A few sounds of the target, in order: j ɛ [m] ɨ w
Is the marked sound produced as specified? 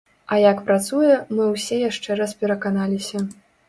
yes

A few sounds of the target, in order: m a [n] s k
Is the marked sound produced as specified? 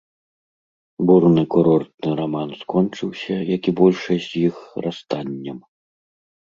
yes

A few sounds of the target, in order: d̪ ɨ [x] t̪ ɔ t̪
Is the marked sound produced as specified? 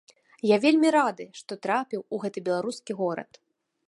no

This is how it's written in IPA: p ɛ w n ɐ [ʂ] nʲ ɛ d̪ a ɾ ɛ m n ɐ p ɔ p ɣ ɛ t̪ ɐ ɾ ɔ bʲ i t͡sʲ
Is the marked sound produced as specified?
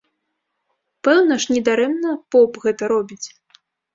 yes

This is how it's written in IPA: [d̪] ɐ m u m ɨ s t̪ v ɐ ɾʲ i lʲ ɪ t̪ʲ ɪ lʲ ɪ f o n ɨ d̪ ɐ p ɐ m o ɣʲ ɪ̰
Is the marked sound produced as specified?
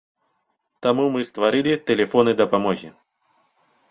no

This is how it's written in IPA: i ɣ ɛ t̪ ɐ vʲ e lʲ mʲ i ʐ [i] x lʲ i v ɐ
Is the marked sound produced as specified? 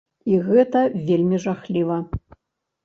no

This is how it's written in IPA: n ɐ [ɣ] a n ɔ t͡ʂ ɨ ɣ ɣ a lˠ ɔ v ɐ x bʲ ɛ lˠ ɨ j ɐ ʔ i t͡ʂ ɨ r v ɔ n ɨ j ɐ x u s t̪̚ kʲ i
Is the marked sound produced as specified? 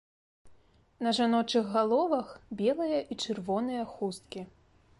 no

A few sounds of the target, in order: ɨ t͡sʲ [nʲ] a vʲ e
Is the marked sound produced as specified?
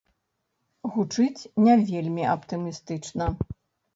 yes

